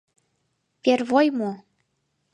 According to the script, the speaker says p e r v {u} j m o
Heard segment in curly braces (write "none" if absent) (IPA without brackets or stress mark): o